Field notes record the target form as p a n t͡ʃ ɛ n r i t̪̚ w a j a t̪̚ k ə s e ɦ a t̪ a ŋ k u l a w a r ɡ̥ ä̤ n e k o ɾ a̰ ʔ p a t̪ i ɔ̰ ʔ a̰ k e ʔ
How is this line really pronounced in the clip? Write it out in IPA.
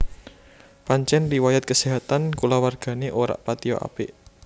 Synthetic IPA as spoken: p a ɲ t͡ʃ ɛ n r i w a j a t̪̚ k ə s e ɦ a t̪ a n k u l a w a r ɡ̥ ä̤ n e ʔ o ɾ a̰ ʔ p a t̪ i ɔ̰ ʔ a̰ p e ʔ